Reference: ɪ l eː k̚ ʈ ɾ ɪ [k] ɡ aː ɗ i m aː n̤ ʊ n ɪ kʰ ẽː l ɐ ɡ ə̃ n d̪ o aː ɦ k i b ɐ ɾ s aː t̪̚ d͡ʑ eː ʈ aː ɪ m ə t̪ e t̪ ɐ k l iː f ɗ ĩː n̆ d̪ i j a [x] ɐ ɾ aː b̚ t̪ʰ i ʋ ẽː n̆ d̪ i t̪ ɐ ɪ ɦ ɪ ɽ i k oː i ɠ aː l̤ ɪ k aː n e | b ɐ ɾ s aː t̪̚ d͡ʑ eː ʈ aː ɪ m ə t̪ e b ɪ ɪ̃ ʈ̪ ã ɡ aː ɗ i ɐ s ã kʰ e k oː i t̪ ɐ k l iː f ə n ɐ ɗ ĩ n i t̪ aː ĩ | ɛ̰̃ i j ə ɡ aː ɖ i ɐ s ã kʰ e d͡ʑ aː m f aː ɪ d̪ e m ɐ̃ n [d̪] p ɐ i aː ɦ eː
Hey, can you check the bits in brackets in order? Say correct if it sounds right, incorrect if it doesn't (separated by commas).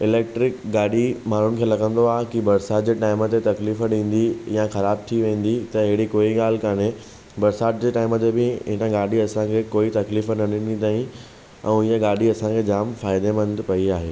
correct, correct, correct